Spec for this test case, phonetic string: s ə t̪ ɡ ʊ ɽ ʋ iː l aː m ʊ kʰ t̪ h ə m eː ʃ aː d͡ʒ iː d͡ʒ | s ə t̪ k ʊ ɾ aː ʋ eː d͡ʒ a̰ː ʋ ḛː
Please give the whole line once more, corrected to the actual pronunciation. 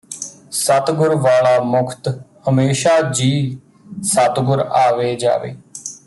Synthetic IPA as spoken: s ə t̪ ɡ ʊ ɾ ʋ aː l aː m ʊ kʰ t̪ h ə m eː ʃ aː d͡ʒ iː | s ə t̪ ɡ ʊ ɾ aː ʋ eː d͡ʒ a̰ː ʋ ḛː